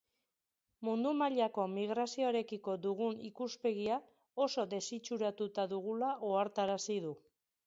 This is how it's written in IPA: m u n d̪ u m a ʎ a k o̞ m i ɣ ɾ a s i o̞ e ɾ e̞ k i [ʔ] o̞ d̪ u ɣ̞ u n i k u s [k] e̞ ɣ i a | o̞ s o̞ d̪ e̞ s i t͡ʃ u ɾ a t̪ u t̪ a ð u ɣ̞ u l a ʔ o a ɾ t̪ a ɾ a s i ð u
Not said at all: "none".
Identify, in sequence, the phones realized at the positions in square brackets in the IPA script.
k, p

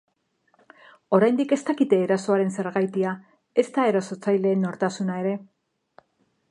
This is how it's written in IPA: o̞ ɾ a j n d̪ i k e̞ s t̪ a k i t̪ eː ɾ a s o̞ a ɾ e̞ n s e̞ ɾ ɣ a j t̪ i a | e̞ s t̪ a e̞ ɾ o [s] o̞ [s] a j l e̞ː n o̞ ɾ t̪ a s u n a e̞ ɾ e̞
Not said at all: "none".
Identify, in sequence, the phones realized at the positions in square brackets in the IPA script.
s, t͡s

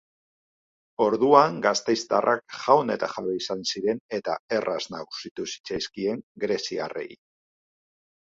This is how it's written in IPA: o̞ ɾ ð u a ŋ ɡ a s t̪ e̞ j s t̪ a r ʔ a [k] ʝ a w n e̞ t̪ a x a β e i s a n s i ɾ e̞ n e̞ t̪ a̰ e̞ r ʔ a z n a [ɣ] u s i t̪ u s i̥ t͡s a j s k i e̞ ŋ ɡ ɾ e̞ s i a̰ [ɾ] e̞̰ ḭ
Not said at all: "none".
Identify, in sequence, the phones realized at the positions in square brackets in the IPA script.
k, ɣ, r

